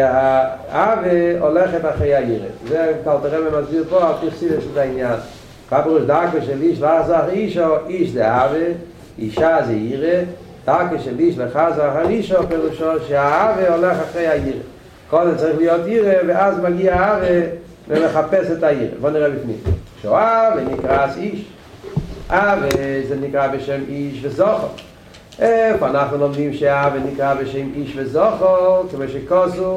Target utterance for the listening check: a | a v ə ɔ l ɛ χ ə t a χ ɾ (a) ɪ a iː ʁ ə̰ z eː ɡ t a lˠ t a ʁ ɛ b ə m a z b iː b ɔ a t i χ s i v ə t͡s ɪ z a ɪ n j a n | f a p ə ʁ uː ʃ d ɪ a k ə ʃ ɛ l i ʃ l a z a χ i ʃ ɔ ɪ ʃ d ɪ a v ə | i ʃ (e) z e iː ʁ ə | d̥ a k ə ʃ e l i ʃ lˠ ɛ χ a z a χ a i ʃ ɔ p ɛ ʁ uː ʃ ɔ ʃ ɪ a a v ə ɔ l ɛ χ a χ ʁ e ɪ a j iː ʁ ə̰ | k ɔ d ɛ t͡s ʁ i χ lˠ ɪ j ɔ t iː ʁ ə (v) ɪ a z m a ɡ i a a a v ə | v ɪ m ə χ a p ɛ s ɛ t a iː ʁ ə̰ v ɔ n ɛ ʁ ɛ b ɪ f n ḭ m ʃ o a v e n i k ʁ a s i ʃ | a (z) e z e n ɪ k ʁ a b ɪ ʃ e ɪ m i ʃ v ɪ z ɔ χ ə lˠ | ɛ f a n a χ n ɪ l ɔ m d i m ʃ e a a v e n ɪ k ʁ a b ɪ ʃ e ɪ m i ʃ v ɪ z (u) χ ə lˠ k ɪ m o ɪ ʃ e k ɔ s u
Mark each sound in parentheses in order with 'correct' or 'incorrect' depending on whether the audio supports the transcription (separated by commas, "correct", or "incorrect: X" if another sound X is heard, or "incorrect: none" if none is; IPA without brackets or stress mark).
incorrect: e, incorrect: a, correct, incorrect: v, incorrect: ɔ